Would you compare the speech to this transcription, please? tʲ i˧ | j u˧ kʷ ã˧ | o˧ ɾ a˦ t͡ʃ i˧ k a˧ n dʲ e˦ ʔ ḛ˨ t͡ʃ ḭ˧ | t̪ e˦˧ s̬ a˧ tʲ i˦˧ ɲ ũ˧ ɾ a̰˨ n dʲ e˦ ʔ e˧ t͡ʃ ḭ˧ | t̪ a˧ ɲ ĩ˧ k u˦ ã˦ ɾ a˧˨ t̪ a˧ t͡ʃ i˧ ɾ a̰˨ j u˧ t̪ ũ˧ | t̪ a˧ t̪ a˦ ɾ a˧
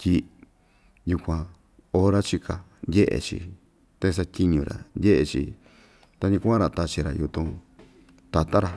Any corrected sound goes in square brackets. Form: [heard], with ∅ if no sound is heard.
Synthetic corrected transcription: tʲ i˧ | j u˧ kʷ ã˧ | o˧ ɾ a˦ t͡ʃ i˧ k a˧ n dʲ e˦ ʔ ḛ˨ t͡ʃ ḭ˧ | t̪ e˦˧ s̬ a˧ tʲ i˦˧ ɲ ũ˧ ɾ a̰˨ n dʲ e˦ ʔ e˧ t͡ʃ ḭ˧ | t̪ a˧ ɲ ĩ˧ k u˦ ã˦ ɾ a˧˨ t̪ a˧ t͡ʃ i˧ ɾ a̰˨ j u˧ t̪ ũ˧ | t̪ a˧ t̪ a˦ ɾ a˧